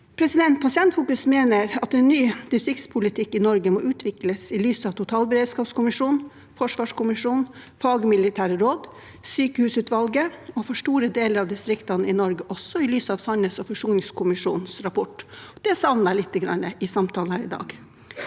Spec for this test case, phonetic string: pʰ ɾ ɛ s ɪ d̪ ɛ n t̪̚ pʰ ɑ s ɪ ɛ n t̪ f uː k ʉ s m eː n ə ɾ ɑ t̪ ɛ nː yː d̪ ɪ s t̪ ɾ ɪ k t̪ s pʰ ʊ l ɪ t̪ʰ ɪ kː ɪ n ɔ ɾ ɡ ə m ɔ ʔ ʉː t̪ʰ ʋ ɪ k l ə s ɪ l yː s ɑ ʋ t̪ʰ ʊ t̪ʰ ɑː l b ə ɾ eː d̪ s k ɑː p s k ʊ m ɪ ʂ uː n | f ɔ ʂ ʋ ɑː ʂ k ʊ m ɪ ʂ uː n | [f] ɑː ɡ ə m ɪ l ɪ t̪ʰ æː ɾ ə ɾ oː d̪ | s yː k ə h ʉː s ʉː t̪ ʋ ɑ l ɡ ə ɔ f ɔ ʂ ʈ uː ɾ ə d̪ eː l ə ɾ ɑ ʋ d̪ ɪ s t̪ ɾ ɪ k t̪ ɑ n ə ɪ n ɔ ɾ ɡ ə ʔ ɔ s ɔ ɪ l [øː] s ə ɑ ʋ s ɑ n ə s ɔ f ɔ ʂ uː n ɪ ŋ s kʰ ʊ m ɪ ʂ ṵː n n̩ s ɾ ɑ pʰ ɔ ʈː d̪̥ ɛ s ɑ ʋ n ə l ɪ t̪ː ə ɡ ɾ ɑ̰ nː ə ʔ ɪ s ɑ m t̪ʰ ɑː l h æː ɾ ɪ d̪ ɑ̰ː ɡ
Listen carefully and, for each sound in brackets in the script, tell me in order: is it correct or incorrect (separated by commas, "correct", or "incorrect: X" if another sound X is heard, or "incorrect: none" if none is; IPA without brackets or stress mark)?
correct, incorrect: yː